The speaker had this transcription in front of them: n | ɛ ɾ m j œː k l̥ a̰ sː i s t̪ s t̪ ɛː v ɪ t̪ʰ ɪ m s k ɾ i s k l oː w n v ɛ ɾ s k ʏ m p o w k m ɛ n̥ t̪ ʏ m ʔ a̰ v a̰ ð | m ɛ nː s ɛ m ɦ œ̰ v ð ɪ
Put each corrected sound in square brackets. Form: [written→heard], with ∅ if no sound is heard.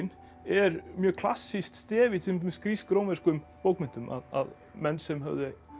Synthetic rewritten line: n | ɛ ɾ m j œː [k→kʰ] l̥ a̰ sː i s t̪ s t̪ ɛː v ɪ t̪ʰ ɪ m s k ɾ i s k [l→ɾ] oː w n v ɛ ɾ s k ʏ m p o w k m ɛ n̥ t̪ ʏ m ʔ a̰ [v→ð] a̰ ð | m ɛ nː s ɛ m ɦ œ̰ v ð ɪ